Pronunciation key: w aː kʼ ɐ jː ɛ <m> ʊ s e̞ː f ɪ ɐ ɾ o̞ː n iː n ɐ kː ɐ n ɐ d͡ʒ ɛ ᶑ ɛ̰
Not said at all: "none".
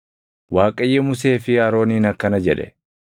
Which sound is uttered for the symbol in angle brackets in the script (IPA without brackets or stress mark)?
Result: m